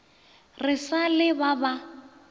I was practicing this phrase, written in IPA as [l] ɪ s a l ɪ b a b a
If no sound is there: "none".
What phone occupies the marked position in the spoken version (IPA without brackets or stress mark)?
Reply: r